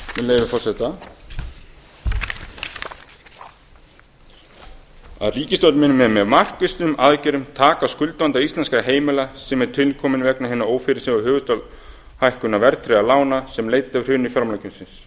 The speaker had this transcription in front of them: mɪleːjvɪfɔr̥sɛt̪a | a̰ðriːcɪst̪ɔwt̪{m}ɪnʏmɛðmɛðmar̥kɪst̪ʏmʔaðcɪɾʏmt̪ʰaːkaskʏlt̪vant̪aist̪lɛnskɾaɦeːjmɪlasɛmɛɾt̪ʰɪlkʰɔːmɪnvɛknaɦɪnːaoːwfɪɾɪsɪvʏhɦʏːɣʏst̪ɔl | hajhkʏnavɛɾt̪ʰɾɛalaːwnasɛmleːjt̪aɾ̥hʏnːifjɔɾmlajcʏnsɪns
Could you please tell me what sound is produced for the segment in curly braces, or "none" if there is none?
m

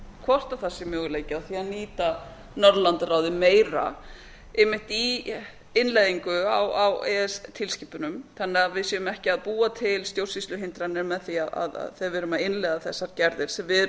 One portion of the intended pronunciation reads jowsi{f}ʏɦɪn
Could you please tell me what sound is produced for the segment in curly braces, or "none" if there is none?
s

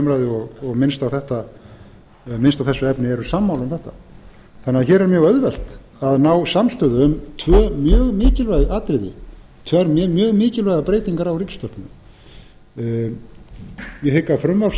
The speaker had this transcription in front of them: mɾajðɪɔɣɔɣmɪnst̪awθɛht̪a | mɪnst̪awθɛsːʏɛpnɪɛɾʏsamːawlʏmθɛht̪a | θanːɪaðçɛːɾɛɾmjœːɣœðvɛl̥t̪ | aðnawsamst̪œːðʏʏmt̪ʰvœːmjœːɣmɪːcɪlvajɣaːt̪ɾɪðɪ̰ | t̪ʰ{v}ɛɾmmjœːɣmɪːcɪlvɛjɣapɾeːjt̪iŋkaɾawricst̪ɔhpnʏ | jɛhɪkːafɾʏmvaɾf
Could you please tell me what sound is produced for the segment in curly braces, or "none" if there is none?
v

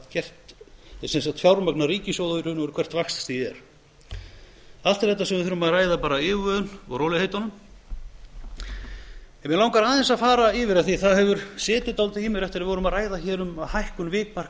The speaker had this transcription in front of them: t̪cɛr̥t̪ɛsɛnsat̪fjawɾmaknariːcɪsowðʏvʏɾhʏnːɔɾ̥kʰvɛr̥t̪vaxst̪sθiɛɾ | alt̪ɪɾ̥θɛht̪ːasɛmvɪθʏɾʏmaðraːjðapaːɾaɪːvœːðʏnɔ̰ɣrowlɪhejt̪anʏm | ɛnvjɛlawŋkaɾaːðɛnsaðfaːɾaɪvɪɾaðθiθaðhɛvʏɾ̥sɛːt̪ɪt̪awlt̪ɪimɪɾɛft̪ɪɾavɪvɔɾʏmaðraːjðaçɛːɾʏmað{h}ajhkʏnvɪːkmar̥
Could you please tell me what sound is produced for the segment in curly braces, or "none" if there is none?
h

